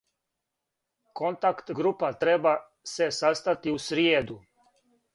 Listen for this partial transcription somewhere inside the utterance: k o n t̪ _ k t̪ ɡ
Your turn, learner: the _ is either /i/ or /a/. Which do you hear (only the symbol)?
a